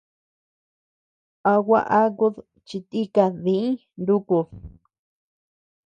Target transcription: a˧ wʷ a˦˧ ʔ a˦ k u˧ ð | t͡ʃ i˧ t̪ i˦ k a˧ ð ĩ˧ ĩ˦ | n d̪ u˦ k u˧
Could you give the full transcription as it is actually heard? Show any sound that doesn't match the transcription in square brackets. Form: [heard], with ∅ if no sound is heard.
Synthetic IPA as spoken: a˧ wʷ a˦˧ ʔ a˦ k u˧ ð | t͡ʃ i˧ t̪ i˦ k a˧ ð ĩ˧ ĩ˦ | n d̪ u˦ k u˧